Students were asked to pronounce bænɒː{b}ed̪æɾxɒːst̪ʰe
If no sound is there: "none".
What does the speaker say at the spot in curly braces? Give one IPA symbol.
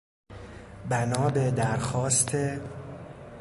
b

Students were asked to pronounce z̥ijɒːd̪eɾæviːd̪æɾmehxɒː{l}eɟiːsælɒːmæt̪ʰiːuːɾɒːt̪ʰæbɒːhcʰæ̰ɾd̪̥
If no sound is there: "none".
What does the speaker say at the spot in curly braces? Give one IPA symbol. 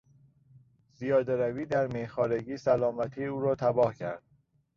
ɾ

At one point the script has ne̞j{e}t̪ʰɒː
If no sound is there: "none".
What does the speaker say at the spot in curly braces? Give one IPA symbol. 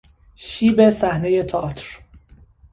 e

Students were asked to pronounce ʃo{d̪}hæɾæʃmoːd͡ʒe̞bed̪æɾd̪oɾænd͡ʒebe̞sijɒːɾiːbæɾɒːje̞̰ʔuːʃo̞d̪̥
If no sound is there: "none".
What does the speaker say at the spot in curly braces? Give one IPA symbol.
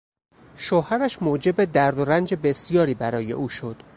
none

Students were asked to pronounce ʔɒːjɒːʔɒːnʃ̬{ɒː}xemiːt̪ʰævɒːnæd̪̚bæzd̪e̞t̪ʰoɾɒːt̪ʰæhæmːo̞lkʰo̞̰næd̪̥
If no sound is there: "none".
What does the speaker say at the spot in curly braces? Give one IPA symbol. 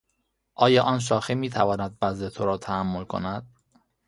ɒː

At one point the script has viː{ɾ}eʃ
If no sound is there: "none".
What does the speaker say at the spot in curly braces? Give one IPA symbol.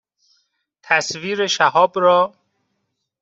ɾ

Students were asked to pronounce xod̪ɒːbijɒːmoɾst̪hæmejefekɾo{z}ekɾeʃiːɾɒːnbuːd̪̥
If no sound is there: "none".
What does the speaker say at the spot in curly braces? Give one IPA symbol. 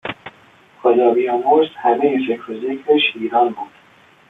z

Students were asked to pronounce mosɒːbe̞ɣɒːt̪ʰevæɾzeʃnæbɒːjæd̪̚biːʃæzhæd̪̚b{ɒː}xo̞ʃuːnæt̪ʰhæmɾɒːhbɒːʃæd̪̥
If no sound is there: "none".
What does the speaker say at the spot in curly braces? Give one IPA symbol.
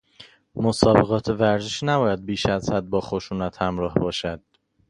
ɒː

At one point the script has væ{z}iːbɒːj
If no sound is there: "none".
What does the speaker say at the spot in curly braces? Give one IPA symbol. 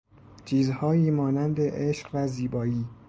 z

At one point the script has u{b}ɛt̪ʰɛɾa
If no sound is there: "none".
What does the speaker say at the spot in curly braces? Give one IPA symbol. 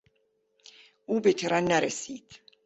b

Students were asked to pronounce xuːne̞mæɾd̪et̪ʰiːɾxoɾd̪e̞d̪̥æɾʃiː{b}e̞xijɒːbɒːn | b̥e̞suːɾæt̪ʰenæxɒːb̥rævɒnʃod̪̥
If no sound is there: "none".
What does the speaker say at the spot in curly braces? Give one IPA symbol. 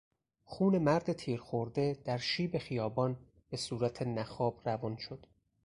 b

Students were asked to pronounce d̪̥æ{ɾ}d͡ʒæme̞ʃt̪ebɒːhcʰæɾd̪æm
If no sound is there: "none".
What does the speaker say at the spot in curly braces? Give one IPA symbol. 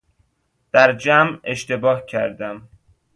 ɾ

